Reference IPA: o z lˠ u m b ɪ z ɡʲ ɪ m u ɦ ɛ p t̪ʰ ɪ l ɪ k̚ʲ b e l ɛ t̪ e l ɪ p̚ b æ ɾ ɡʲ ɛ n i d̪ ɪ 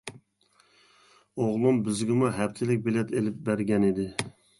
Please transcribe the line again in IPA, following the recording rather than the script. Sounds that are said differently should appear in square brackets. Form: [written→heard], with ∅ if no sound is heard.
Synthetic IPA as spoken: o [z→ʁ] lˠ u m b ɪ z ɡʲ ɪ m u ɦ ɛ p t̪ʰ ɪ l ɪ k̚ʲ b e l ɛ t̪ e l ɪ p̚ b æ ɾ ɡʲ ɛ n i d̪ ɪ